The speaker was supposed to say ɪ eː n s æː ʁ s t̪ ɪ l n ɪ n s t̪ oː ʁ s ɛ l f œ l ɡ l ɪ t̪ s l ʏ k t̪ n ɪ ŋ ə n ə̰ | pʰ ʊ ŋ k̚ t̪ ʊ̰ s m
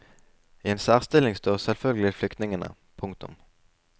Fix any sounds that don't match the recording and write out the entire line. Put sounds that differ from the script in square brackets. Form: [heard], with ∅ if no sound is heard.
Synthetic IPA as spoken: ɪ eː n s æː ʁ s t̪ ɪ l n ɪ [ŋ] s t̪ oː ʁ s ɛ l f œ l ɡ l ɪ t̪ [f] l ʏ k t̪ n ɪ ŋ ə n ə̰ | pʰ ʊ ŋ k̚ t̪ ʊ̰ [∅] m